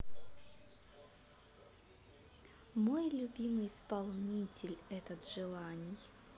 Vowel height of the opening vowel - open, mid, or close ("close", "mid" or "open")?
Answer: mid